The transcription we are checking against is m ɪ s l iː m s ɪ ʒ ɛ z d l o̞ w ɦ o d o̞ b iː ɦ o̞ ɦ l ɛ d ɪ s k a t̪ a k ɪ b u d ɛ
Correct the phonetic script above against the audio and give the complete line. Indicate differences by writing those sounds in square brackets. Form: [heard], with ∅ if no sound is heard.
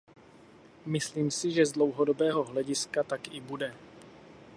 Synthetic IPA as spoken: m ɪ s l iː m s ɪ ʒ ɛ z d l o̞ w ɦ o d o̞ b [ɛː] ɦ o̞ ɦ l ɛ [ɟ] ɪ s k a t̪ a k ɪ b u d ɛ